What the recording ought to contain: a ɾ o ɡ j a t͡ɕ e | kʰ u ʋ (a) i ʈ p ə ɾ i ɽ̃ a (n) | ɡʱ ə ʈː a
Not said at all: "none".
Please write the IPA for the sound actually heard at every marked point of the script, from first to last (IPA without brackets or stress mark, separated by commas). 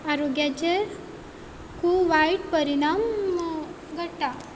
a, m